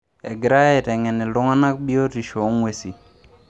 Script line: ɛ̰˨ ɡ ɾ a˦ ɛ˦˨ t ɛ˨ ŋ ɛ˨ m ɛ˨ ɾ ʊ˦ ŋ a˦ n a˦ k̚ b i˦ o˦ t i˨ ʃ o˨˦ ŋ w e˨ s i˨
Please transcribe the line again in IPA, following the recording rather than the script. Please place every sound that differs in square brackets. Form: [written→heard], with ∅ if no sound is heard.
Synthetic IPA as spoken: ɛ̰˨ ɡ ɾ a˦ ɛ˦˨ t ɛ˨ ŋ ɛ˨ [m→n] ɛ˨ [ɾ→l] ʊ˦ ŋ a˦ n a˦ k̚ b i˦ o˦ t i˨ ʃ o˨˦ ŋ w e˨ s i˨